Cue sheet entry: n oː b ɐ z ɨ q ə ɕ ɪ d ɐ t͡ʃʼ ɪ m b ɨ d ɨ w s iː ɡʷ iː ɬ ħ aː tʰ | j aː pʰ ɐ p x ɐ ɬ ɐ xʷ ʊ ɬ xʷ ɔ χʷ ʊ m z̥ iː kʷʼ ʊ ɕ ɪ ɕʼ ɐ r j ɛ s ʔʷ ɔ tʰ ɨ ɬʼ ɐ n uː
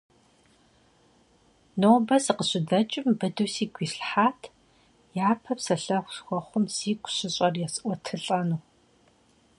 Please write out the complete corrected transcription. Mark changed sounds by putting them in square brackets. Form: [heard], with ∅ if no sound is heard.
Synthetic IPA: n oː b ɐ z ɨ q ə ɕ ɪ d ɐ t͡ʃʼ ɪ m b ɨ d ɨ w s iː ɡʷ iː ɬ ħ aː tʰ | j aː pʰ ɐ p [s] ɐ ɬ ɐ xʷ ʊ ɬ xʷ ɔ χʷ ʊ m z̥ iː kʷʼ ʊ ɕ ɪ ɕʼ ɐ r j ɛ s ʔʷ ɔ tʰ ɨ ɬʼ ɐ n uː